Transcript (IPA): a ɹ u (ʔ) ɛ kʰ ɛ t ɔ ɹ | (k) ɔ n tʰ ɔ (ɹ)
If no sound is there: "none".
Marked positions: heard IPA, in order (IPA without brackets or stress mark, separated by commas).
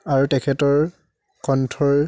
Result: t, k, ɹ